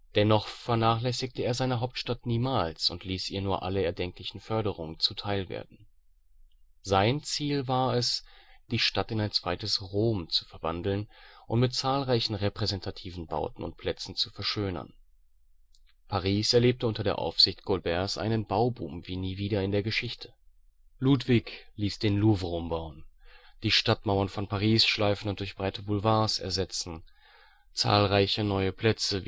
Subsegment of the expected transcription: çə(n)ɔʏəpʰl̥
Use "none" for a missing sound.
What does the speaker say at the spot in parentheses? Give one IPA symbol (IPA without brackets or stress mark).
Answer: n